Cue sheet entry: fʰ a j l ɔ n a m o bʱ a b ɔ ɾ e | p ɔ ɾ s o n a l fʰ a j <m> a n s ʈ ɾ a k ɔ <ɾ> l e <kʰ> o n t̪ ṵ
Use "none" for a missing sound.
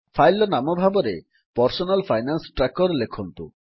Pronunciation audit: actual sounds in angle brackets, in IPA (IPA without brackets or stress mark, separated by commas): n, ɾ, kʰ